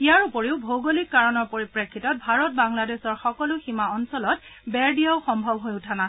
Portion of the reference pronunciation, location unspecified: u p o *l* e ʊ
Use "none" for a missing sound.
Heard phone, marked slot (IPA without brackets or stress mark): ɹ